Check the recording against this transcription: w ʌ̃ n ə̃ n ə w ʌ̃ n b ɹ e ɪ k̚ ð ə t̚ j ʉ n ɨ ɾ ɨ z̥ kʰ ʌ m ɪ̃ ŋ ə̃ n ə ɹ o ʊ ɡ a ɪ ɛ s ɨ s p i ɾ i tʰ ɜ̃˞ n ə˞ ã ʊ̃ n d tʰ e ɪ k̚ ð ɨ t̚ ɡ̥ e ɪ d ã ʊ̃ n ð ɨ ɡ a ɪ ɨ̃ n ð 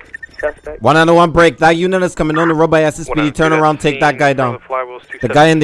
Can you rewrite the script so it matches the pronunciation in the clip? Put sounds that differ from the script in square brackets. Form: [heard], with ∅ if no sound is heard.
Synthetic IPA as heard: w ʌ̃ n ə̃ n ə w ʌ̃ n b ɹ e ɪ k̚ ð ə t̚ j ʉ n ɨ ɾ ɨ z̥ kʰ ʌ m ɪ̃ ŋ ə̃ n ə ɹ o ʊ [b] a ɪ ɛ s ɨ s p i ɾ i tʰ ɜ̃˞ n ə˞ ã ʊ̃ n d tʰ e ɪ k̚ ð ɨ t̚ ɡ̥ [a] ɪ d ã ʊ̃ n ð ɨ ɡ a ɪ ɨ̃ n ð

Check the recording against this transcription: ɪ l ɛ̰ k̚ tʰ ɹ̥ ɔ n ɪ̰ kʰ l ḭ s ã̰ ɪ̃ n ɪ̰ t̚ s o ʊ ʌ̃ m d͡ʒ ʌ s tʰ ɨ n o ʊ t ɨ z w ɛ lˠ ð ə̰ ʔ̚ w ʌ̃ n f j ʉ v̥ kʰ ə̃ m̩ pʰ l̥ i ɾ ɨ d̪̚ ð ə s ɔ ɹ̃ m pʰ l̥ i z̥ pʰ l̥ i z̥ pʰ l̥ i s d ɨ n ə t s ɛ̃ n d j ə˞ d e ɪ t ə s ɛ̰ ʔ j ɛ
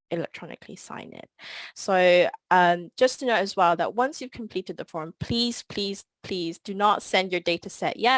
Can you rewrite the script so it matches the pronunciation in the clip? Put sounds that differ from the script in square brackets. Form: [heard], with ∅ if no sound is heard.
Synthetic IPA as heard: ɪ l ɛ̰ k̚ tʰ ɹ̥ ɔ n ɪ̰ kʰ l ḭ s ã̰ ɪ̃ n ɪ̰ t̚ s o ʊ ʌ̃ m d͡ʒ ʌ s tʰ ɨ n o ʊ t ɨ z w ɛ lˠ ð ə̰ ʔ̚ w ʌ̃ n [s] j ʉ v̥ kʰ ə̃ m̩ pʰ l̥ i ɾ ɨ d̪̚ ð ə [f] ɔ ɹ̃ m pʰ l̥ i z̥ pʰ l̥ i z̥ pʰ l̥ i [z] d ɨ n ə t s ɛ̃ n d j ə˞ d e ɪ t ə s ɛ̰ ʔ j ɛ

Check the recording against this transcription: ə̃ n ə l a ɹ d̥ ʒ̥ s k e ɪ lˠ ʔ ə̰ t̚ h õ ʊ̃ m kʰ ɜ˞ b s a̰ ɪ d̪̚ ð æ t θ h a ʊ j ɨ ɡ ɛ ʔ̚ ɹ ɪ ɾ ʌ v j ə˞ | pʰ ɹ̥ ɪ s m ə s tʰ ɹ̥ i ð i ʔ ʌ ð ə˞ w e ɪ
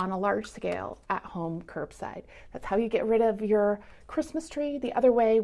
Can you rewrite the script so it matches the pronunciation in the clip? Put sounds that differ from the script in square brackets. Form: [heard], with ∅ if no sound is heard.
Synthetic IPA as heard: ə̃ n ə l [ɑ] ɹ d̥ ʒ̥ s k e ɪ lˠ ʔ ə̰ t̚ h õ ʊ̃ m kʰ ɜ˞ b s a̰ ɪ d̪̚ ð æ t [s] h a ʊ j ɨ ɡ ɛ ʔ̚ ɹ ɪ ɾ ʌ v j ə˞ | [kʰ] ɹ̥ ɪ s m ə s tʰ ɹ̥ i ð i ʔ ʌ ð ə˞ w e ɪ

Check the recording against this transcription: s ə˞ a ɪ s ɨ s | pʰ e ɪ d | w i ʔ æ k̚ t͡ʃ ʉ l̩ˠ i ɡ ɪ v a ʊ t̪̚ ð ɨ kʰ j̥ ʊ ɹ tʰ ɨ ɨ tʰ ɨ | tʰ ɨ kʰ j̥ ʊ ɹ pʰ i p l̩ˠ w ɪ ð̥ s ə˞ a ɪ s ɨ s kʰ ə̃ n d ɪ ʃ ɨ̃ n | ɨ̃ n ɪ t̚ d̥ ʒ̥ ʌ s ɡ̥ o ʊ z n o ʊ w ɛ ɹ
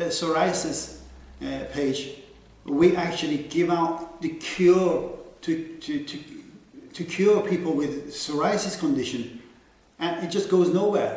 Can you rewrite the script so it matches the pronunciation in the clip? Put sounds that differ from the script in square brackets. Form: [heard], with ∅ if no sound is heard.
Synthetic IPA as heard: s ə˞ a ɪ s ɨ s | pʰ e ɪ [d͡ʒ] | w i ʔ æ k̚ t͡ʃ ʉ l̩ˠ i ɡ ɪ v a ʊ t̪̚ ð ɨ kʰ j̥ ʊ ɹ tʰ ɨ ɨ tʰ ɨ | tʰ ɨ kʰ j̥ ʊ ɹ pʰ i p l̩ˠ w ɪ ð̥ s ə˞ a ɪ s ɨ s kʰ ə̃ n d ɪ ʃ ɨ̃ n | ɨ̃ n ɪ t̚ d̥ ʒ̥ ʌ s ɡ̥ o ʊ z n o ʊ w ɛ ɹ

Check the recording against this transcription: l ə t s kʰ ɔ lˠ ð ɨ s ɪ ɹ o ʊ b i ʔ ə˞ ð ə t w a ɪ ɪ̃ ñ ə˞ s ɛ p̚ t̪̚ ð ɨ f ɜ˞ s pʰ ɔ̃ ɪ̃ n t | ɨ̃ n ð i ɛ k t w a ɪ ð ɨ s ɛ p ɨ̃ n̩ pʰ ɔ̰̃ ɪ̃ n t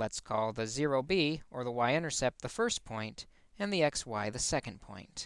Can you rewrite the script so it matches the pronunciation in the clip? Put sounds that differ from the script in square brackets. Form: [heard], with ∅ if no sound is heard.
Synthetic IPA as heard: l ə t s kʰ ɔ lˠ ð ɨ [z] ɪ ɹ o ʊ b i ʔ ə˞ ð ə [∅] w a ɪ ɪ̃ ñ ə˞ s ɛ p̚ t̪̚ ð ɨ f ɜ˞ s pʰ ɔ̃ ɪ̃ n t | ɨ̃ n ð i ɛ k [s] w a ɪ ð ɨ s ɛ [k] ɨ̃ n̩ pʰ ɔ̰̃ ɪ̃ n t

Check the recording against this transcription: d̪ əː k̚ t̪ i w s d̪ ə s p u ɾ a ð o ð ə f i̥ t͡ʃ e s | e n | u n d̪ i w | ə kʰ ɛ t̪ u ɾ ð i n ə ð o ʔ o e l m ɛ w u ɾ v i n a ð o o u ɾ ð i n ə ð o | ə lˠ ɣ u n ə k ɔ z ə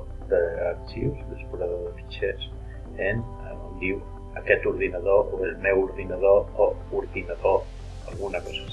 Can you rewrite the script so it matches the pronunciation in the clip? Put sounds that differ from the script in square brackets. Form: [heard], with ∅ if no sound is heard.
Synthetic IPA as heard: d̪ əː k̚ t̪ i w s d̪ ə s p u ɾ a ð o ð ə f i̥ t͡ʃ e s | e n | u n d̪ i w | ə [k] ɛ t̪ u ɾ ð i n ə ð o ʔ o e l m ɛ w u ɾ [ð] i n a ð o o u ɾ ð i n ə ð o | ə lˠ ɣ u n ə k ɔ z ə

